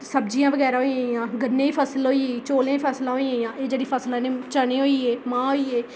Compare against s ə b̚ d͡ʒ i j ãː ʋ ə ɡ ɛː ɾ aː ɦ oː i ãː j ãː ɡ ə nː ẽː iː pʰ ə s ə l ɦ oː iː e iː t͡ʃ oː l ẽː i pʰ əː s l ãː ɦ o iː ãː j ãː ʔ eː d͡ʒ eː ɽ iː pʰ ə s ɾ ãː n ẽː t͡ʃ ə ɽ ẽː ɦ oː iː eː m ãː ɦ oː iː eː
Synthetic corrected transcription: s ə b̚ d͡ʒ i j ãː ʋ ə ɡ ɛː ɾ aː ɦ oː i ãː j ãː ɡ ə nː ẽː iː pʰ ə s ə l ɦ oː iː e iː t͡ʃ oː l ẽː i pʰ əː s l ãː ɦ o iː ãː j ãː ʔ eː d͡ʒ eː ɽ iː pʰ ə s l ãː n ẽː t͡ʃ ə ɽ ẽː ɦ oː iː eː m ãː ɦ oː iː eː